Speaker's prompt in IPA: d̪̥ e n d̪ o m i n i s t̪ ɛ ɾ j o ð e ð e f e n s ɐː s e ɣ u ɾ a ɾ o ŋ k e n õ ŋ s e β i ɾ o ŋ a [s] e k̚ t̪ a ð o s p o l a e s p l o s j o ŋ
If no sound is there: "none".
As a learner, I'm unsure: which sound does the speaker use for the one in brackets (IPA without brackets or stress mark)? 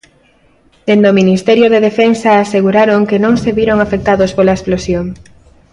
f